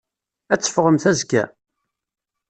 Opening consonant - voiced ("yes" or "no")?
no